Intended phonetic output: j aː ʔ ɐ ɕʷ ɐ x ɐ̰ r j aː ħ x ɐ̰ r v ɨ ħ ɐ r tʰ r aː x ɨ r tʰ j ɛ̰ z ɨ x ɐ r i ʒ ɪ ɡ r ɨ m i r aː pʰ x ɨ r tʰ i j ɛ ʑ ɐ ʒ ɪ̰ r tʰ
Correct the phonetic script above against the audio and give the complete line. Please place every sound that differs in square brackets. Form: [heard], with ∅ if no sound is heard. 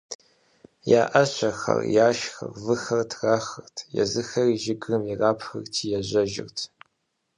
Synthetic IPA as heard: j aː ʔ ɐ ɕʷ ɐ x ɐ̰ r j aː [ʃ] x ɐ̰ r v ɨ [x] ɐ r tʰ r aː x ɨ r tʰ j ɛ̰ z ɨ x ɐ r i ʒ ɪ ɡ r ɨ m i r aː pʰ x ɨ r tʰ i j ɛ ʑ ɐ ʒ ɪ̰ r tʰ